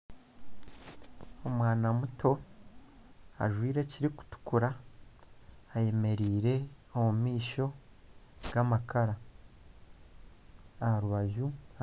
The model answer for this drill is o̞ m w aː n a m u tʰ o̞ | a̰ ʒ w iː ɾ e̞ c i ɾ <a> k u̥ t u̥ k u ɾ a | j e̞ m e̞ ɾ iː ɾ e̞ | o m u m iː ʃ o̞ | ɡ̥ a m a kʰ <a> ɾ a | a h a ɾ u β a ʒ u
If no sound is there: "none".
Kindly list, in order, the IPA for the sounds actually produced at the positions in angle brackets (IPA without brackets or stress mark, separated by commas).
i, a